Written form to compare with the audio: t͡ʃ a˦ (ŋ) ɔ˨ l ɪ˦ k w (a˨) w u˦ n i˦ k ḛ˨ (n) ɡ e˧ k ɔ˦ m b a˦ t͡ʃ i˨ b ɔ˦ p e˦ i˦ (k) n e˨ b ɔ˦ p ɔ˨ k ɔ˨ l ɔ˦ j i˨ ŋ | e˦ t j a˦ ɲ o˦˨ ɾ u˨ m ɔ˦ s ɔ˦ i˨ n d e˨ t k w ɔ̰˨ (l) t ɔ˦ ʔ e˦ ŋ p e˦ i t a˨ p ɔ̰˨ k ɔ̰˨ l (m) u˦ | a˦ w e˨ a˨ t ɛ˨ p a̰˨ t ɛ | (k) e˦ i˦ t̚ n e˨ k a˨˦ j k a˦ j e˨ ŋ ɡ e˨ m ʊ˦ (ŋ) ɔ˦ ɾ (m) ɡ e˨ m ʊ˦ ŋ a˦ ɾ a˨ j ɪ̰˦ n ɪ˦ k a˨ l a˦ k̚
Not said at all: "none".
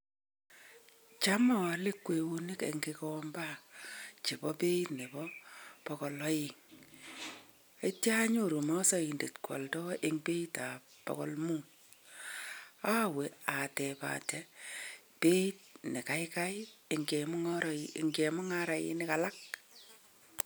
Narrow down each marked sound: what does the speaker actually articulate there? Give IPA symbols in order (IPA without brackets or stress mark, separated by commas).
m, e˨, ŋ, t, l, m, p, ŋ, ŋ